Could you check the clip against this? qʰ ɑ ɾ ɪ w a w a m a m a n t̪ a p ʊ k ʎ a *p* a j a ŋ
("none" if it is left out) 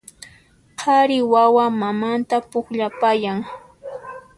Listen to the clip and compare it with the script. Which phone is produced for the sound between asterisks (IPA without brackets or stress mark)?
p